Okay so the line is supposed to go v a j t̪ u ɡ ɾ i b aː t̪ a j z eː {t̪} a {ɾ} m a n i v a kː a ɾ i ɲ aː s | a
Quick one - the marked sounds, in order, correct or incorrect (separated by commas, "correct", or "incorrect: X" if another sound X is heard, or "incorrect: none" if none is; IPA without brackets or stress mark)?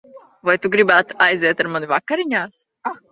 correct, correct